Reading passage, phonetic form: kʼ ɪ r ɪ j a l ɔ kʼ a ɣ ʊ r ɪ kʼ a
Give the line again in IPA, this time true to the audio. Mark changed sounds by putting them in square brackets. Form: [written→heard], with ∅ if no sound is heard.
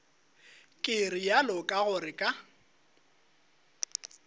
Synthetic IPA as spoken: kʼ ɪ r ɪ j a l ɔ kʼ a ɣ ʊ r ɪ kʼ a